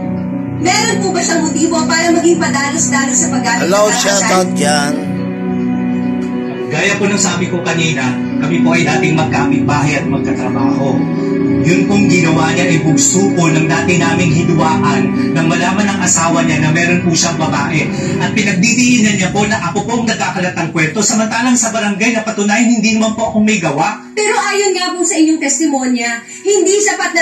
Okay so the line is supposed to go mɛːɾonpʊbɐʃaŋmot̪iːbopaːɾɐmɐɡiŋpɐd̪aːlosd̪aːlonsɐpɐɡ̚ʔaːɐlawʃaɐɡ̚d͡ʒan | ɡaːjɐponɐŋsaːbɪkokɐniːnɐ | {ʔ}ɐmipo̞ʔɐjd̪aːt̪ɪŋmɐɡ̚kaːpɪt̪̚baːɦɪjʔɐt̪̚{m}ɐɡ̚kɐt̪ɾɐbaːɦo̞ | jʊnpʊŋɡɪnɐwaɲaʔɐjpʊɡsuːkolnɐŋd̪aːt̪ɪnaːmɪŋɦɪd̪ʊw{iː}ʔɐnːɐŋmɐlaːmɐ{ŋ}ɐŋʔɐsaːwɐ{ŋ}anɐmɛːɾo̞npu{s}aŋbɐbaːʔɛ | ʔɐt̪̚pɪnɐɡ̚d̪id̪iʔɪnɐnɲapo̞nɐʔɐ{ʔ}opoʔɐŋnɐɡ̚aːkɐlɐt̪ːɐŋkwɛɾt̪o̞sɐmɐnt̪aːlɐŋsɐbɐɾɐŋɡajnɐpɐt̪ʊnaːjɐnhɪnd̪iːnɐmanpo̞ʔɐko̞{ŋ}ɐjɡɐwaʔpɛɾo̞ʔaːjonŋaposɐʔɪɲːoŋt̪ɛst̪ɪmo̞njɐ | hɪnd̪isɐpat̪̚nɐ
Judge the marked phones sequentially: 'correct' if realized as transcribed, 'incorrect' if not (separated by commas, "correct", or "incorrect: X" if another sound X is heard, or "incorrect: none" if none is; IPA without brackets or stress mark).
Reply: incorrect: k, correct, incorrect: aː, incorrect: n, incorrect: ɲ, incorrect: ʃ, incorrect: k, incorrect: m